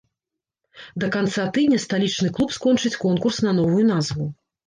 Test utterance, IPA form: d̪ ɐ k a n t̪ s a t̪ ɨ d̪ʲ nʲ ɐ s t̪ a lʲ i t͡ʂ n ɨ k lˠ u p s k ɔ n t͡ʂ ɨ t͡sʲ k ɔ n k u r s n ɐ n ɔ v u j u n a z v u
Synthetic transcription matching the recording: d̪ ɐ k a n t̪ s a t̪ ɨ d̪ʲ nʲ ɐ s t̪ a lʲ i t͡ʂ n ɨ k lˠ u p s k ɔ n t͡ʂ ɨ t͡sʲ k ɔ n k u r s n ɐ n ɔ v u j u n a z v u